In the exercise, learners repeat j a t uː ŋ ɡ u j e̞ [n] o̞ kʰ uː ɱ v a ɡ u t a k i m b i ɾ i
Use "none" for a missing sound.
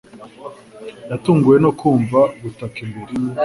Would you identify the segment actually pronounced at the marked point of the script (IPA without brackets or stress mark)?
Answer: n